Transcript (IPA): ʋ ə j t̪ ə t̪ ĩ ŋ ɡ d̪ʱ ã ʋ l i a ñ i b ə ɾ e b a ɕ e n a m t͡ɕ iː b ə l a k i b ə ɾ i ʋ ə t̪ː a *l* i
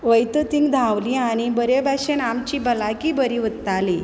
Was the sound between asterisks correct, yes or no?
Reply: yes